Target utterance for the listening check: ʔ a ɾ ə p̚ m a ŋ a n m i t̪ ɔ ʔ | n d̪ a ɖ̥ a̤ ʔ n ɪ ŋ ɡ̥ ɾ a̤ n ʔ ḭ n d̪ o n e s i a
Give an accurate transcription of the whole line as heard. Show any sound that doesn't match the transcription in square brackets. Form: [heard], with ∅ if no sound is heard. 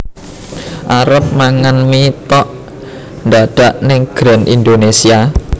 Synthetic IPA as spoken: ʔ a ɾ ə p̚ m a ŋ a n m i t̪ ɔ ʔ | n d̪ a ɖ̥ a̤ ʔ n ɪ ŋ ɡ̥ ɾ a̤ n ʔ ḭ n d̪ o n e s i a